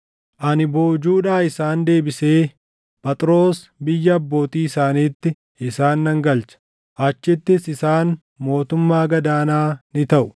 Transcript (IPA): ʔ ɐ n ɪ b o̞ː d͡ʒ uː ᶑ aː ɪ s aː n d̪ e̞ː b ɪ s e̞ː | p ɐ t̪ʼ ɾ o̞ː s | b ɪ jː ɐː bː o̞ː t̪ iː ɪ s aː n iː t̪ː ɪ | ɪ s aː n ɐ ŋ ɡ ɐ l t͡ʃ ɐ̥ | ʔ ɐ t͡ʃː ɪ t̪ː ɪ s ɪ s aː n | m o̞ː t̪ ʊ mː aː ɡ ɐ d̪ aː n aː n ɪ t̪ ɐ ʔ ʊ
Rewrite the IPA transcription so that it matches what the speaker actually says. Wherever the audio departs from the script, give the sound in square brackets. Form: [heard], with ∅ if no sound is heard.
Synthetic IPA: ʔ ɐ n ɪ b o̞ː d͡ʒ uː ᶑ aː ɪ s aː n d̪ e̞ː b ɪ s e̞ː | p ɐ t̪ʼ ɾ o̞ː s | b ɪ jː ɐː bː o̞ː t̪ iː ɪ s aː n iː t̪ː ɪ | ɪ s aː [nː] ɐ ŋ ɡ ɐ l t͡ʃ ɐ̥ | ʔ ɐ t͡ʃː ɪ t̪ː ɪ s ɪ s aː n | m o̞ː t̪ ʊ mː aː ɡ ɐ d̪ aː n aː n ɪ t̪ ɐ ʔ ʊ